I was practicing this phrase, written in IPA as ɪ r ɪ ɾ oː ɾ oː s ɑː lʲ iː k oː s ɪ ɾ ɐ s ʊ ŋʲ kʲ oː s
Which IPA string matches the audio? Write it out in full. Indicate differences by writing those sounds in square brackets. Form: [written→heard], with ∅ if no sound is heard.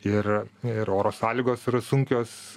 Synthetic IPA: ɪ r ɪ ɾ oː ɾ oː s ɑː lʲ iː [k→ɡ] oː s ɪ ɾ ɐ s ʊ ŋʲ kʲ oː s